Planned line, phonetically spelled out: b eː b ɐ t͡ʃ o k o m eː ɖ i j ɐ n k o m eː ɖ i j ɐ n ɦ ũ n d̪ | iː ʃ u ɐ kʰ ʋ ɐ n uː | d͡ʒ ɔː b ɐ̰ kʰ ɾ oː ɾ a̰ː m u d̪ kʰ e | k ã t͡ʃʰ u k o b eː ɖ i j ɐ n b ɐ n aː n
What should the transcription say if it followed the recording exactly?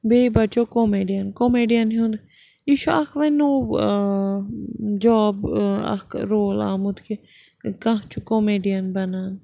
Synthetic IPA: b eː b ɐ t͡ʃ o k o m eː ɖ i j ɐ n k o m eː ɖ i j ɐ n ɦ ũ n d̪ | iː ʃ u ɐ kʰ ʋ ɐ n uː | d͡ʒ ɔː b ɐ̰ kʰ ɾ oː l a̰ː m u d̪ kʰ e | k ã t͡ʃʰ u k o m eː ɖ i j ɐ n b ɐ n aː n

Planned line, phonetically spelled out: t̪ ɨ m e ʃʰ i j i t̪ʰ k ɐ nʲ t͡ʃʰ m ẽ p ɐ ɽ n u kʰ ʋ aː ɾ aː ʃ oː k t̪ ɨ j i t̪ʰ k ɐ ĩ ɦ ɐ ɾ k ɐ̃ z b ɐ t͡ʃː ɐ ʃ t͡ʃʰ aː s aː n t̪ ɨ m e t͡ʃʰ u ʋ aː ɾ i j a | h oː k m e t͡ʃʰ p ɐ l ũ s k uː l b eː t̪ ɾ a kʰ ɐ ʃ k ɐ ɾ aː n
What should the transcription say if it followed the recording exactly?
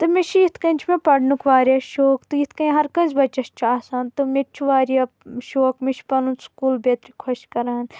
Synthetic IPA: t̪ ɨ m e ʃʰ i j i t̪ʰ k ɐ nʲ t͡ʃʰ m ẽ p ɐ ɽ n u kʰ ʋ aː ɾ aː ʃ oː k t̪ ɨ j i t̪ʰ k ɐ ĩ ɦ ɐ ɾ k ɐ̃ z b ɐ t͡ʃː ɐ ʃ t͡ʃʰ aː s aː n t̪ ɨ m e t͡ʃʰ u ʋ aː ɾ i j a | ʃ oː k m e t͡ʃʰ p ɐ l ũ s k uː l b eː t̪ ɾ i kʰ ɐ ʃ k ɐ ɾ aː n

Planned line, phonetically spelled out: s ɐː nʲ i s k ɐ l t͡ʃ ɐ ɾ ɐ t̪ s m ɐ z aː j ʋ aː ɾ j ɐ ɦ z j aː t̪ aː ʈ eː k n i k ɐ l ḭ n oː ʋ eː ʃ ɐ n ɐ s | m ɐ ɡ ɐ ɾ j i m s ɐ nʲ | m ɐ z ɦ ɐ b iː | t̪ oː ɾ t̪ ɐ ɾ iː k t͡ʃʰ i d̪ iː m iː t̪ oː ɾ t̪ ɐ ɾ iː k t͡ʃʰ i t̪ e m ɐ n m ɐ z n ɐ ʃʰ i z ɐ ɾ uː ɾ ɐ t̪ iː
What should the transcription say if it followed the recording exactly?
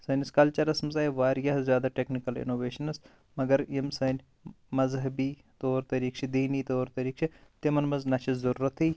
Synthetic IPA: s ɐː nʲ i s k ɐ l t͡ʃ ɐ ɾ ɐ s m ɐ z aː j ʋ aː ɾ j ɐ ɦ z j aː d̪ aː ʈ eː k n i k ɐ l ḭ n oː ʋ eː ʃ ɐ n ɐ s | m ɐ ɡ ɐ ɾ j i m s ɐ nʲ | m ɐ z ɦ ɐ b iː | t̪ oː ɾ t̪ ɐ ɾ iː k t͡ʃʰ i d̪ iː n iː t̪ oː ɾ t̪ ɐ ɾ iː k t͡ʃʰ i t̪ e m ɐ n m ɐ z n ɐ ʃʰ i z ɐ ɾ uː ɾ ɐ t̪ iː

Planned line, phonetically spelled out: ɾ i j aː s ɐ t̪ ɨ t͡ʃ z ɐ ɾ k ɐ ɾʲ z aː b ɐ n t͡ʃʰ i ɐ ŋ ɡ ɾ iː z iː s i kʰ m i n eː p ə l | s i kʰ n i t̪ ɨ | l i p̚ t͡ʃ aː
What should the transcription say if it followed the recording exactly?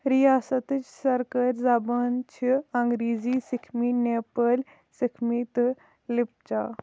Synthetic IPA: ɾ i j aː s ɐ t̪ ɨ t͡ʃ s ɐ ɾ k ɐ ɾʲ z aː b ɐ n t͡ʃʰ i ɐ ŋ ɡ ɾ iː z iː s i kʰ m i n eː p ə l | s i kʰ m i t̪ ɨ | l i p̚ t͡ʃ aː

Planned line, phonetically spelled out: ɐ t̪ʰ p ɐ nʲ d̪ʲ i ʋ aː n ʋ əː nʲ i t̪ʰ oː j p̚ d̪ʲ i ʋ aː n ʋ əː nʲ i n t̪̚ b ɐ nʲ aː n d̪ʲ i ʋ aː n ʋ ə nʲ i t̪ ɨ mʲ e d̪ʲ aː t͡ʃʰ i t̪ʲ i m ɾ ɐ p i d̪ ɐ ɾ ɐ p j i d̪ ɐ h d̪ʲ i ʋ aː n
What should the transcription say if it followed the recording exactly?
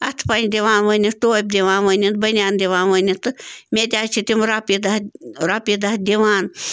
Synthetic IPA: ɐ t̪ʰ p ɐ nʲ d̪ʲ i ʋ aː n ʋ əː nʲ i t̪ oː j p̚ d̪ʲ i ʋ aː n ʋ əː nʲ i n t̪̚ b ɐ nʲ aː n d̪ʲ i ʋ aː n ʋ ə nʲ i t̪ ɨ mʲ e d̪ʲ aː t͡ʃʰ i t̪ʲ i m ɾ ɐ p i d̪ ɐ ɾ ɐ p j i d̪ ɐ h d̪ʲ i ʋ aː n

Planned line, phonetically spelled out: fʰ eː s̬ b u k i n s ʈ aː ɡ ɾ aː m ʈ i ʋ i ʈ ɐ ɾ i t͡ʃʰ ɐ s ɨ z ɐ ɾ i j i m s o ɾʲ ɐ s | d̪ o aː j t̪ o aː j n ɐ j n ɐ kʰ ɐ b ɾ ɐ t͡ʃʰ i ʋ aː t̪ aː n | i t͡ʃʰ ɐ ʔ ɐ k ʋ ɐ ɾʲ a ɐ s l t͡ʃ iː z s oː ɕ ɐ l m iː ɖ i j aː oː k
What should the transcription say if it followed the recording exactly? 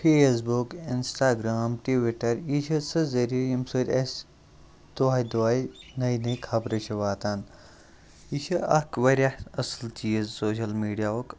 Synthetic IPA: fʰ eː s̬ b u k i n s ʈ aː ɡ ɾ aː m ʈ i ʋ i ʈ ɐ ɾ i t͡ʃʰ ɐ s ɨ z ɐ ɾ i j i m s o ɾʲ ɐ s | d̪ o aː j d̪ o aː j n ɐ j n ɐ kʰ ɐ b ɾ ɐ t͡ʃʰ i ʋ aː t̪ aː n | i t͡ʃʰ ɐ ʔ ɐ k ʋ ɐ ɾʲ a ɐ s l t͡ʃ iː z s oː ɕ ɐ l m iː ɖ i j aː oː k

